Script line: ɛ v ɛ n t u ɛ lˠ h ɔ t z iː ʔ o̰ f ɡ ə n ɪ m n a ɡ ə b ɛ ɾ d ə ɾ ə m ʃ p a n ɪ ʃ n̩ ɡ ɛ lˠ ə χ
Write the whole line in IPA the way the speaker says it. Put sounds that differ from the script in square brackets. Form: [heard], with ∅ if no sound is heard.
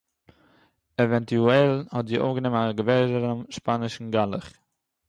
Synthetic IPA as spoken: ɛ v ɛ n t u ɛ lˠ h ɔ t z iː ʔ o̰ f ɡ ə n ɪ m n a ɡ ə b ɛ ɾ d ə ɾ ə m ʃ p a n ɪ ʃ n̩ ɡ [a] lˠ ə χ

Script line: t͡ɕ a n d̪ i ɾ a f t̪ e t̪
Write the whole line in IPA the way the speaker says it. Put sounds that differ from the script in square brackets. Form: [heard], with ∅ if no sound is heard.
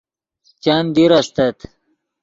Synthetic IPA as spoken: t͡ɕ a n d̪ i ɾ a [s] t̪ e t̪

